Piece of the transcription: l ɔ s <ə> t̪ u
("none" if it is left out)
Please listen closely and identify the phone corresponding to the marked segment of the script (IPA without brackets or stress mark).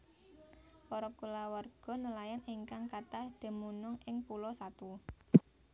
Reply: a